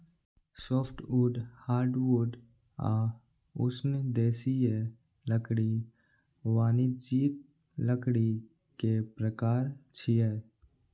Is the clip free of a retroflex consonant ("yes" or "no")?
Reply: no